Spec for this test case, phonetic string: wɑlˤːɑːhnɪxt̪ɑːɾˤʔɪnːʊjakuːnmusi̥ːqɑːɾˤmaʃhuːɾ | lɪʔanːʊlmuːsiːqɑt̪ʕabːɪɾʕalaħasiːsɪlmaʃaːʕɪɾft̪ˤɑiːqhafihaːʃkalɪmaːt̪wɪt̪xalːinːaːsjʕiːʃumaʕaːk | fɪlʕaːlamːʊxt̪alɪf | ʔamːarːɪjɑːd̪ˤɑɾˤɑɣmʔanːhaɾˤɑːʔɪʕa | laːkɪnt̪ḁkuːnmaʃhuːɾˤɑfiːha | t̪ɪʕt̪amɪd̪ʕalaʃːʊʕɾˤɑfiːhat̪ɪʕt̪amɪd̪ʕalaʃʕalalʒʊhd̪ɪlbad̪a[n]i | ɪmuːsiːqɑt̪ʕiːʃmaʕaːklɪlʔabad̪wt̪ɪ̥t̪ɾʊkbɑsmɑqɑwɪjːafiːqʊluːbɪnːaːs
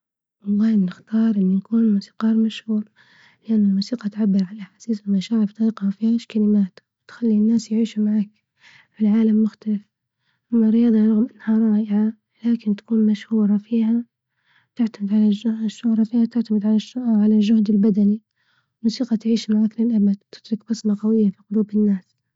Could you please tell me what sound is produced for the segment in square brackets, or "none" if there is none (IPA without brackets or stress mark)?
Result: n